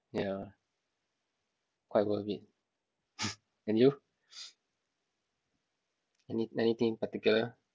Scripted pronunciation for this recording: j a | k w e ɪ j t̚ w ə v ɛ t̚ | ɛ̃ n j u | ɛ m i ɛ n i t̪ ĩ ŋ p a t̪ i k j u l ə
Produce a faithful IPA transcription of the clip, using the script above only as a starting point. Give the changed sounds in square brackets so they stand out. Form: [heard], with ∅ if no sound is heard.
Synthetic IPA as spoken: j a | k w [a] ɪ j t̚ w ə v [i] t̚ | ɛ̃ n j u | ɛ [n] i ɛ n i t̪ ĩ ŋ p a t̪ i k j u l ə